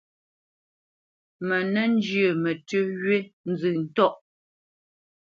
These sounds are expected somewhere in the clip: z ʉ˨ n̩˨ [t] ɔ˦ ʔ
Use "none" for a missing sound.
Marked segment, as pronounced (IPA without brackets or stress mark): t